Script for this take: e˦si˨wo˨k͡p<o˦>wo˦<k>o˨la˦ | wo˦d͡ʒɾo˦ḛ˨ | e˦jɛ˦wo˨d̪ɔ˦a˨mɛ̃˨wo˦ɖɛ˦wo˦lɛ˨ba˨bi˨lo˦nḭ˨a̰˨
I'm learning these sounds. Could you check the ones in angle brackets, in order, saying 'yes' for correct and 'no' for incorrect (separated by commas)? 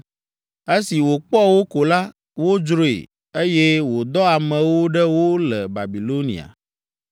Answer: no, yes